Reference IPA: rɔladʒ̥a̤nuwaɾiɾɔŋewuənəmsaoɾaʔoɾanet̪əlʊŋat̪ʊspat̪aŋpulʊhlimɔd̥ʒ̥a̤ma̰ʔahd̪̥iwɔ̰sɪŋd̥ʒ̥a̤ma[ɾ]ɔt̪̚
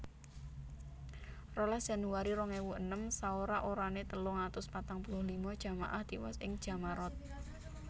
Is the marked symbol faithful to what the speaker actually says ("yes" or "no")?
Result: yes